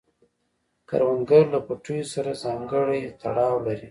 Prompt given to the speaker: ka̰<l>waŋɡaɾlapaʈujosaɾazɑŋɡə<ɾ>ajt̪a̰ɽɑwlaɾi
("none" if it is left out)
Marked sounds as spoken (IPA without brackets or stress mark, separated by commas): ɾ, ɽ